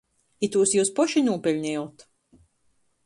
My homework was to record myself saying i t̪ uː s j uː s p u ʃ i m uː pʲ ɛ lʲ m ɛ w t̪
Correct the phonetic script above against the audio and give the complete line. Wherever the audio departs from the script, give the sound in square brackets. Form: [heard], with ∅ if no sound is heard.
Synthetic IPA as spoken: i t̪ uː s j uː s p [ɔ] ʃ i [n] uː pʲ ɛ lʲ [ɲ] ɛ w t̪